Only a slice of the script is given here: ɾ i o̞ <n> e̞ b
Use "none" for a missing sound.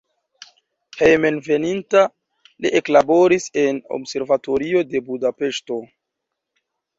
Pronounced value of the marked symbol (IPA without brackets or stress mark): d